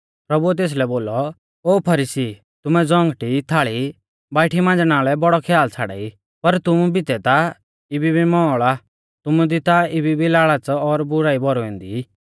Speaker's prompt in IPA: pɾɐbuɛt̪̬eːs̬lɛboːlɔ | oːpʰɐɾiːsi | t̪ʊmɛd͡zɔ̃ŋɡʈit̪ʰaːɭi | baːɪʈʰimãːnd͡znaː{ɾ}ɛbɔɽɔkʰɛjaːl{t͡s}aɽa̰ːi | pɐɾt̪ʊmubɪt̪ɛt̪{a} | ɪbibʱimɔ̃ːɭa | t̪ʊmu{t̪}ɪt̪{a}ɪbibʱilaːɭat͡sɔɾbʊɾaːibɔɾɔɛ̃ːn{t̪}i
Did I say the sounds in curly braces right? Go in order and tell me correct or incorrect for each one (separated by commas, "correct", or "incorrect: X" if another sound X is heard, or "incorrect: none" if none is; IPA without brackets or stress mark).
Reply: incorrect: l, incorrect: t͡sʰ, correct, incorrect: d̪, correct, incorrect: d̪